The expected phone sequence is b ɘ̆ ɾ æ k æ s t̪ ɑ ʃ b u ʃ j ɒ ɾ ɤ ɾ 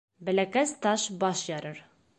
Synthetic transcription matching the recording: b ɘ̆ l æ k æ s t̪ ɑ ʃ b ɒ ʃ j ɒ ɾ ɤ ɾ